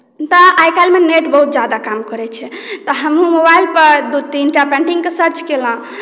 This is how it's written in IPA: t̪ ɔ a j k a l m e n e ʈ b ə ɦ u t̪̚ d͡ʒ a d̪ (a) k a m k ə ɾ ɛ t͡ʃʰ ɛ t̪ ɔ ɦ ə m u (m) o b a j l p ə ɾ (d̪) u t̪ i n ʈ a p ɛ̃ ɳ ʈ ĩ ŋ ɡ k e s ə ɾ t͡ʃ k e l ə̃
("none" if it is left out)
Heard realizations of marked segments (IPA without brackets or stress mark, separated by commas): a, m, d̪